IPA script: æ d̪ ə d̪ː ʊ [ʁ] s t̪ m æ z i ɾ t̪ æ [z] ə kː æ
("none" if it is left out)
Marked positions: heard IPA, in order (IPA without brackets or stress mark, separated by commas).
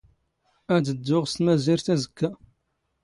ʁ, z